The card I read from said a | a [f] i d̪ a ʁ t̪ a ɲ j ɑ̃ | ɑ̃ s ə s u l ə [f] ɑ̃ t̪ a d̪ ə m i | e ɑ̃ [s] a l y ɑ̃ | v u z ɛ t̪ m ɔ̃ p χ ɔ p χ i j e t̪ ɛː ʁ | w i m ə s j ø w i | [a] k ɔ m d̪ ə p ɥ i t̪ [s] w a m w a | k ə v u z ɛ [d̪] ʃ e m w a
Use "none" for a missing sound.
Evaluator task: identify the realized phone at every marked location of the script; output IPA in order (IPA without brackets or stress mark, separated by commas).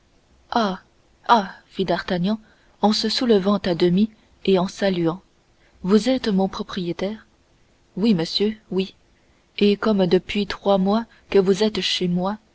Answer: f, v, s, e, χ, t̪